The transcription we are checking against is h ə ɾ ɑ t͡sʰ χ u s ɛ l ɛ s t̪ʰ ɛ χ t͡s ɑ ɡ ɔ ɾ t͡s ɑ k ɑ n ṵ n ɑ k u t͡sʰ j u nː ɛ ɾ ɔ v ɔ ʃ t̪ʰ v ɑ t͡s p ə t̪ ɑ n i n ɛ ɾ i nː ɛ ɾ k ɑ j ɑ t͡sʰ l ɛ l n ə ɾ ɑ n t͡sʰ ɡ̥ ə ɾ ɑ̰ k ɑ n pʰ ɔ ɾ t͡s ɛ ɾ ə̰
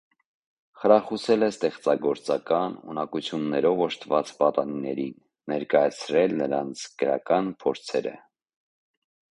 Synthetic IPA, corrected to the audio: χ ə ɾ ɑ χ u s ɛ l ɛ s t̪ ɛ χ t͡s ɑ ɡ ɔ ɾ t͡s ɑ k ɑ n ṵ n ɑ k u t͡sʰ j u nː ɛ ɾ ɔ v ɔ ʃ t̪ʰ v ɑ t͡s p ɑ t̪ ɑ n i n ɛ ɾ i nː ɛ ɾ k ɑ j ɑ t͡sʰ ɾ ɛ l n ə ɾ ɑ n t͡sʰ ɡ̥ ə ɾ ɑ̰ k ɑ n pʰ ɔ ɾ t͡sʰ ɛ ɾ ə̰